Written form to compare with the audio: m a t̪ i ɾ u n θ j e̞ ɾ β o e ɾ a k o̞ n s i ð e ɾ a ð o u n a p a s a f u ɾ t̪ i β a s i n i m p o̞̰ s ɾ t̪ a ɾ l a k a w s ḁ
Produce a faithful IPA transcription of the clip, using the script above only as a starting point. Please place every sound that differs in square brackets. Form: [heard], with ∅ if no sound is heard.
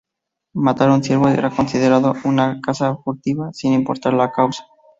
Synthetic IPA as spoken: m a t̪ [a] ɾ u n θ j e̞ ɾ β o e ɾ a k o̞ n s i ð e ɾ a ð o u n a [k] a s a f u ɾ t̪ i β a s i n i m p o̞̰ [∅] ɾ t̪ a ɾ l a k a w s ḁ